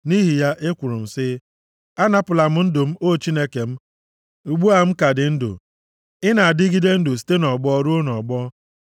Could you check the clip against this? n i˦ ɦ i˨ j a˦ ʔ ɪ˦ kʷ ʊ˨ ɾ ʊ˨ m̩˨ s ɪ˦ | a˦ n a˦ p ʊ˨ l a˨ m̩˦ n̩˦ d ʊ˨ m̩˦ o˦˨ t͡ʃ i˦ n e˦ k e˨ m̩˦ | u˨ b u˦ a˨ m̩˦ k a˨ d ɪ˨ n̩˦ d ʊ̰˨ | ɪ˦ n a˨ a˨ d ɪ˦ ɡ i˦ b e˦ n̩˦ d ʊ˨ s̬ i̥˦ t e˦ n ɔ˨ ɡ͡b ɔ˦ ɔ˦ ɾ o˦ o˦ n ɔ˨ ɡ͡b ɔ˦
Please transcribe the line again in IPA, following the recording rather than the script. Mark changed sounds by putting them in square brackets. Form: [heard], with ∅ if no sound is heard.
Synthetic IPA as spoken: n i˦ ɦ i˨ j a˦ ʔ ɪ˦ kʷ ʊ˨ ɾ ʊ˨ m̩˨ s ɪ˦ | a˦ n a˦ p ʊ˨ l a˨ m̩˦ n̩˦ d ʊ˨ m̩˦ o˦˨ t͡ʃ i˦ n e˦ k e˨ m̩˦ | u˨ [ɡ͡b] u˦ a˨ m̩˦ k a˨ d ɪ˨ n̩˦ d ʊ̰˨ | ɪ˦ n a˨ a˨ d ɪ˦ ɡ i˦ [d] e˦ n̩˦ d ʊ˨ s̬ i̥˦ t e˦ n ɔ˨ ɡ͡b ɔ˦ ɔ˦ ɾ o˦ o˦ n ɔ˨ ɡ͡b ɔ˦